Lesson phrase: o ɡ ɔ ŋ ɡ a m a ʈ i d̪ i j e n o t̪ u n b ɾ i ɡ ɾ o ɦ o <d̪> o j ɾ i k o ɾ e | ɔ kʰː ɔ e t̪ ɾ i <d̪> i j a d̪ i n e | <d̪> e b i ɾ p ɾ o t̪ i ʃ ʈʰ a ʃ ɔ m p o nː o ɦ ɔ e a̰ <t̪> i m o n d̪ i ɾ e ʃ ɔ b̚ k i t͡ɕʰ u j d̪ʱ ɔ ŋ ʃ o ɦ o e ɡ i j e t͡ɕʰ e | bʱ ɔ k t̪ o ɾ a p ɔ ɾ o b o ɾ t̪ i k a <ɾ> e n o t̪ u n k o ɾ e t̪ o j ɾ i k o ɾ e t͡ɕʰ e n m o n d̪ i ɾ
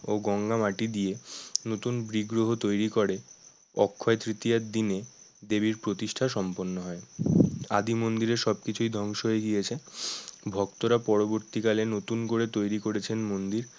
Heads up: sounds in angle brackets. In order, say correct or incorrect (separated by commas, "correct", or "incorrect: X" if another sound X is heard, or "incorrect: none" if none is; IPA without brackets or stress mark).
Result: incorrect: t̪, incorrect: t̪, correct, incorrect: d̪, incorrect: l